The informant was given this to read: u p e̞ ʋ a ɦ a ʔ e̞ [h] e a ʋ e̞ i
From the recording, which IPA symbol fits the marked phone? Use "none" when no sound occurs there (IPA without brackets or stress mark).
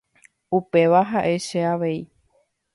ʃ